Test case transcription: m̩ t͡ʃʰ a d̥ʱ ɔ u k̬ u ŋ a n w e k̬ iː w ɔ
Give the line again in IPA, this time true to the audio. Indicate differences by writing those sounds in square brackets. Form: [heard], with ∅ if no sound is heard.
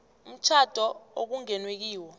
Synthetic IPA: m̩ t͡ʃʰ a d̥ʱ ɔ [o] k̬ u ŋ [ɛ] n w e k̬ iː w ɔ